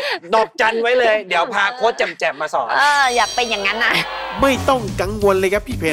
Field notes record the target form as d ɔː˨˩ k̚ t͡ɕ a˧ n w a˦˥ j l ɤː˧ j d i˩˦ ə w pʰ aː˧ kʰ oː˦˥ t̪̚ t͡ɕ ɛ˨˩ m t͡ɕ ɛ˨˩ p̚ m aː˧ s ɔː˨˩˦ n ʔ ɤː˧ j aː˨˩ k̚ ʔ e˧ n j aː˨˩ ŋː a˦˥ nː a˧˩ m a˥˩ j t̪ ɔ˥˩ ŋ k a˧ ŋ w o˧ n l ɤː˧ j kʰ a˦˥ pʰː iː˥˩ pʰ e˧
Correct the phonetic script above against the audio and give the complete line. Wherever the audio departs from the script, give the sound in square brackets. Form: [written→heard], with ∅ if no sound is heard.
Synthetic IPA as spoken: d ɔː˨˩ k̚ t͡ɕ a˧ n w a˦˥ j l ɤː˧ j d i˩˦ ə w pʰ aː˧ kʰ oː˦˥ t̪̚ t͡ɕ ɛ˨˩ m t͡ɕ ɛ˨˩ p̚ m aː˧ s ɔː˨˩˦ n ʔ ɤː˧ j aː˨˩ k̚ [ʔ→p] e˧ n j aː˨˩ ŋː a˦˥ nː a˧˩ m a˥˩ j t̪ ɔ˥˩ ŋ k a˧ ŋ w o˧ n l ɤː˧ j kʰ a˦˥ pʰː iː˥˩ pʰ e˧